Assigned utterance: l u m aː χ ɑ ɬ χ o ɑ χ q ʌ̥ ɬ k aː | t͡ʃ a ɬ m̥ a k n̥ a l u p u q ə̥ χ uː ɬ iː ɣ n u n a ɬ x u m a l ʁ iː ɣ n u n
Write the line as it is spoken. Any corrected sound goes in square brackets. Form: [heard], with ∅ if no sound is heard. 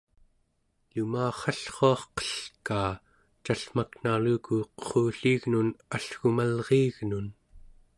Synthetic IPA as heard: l u m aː χ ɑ ɬ χ o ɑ χ q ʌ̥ ɬ k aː | t͡ʃ a ɬ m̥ a k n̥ a l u [k] u q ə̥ χ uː ɬ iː ɣ n u n a ɬ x u m a l ʁ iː ɣ n u n